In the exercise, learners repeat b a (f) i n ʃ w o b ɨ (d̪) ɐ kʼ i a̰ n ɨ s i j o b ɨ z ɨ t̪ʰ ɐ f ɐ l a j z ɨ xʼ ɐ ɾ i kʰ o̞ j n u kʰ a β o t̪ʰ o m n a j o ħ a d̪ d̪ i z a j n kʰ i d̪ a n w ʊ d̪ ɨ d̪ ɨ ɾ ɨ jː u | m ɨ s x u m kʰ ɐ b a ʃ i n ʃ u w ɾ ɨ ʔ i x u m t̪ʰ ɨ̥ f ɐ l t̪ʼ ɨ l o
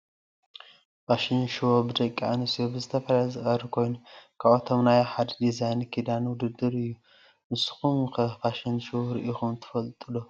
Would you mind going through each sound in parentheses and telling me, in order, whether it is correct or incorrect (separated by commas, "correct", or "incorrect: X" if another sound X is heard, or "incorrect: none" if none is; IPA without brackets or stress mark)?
incorrect: ʃ, correct